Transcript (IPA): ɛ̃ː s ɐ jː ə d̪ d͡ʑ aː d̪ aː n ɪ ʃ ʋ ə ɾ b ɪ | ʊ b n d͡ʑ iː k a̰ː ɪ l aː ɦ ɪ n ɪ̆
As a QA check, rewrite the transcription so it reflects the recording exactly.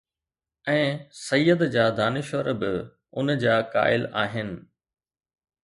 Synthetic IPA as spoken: ɛ̃ː s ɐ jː ə d̪ d͡ʑ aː d̪ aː n ɪ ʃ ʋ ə ɾ b ɪ | ʊ n d͡ʑ aː k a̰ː ɪ l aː ɦ ɪ n ɪ̆